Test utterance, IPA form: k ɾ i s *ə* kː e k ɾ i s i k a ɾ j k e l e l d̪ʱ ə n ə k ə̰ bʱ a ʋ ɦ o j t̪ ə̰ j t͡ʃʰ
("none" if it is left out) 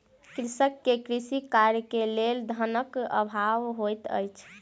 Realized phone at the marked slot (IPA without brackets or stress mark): ə